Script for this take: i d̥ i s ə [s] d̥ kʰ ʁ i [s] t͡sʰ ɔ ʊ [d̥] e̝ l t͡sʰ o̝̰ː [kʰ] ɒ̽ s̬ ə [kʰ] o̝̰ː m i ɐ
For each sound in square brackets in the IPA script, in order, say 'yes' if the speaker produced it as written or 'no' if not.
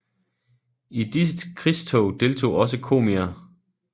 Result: no, yes, yes, no, yes

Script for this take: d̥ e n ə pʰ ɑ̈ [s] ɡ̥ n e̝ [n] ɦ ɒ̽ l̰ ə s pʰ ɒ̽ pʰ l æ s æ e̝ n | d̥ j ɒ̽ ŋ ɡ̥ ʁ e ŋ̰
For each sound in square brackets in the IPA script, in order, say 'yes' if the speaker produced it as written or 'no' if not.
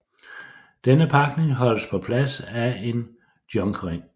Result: no, no

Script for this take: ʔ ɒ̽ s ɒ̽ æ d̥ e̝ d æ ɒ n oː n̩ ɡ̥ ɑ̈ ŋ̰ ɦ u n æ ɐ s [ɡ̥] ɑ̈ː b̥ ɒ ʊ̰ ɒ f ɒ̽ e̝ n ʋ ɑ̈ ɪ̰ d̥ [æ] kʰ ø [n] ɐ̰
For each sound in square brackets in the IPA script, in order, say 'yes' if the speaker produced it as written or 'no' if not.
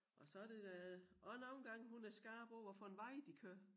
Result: yes, no, no

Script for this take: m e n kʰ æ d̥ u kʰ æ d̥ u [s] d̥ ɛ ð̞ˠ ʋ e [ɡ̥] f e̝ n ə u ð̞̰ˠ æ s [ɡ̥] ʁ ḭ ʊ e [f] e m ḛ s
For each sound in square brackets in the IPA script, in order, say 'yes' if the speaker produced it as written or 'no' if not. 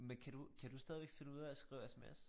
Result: yes, yes, yes, no

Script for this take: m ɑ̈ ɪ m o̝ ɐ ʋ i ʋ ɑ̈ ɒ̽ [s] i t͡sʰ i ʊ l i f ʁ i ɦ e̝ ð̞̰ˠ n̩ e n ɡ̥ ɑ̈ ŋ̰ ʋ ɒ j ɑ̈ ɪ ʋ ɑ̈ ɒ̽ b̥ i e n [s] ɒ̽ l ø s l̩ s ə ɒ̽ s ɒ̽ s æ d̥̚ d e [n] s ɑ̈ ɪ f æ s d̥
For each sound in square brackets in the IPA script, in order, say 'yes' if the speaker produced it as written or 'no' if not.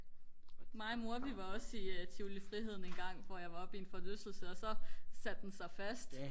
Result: yes, no, yes

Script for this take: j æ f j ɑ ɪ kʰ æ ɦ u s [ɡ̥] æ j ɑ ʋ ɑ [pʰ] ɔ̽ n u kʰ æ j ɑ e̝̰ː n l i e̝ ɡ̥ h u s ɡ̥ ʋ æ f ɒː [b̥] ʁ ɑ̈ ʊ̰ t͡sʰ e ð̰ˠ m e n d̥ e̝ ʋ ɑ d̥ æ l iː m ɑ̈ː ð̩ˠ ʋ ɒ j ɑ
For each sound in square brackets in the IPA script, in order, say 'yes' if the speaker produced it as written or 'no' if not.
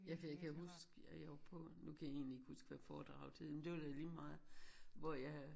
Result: yes, yes, no

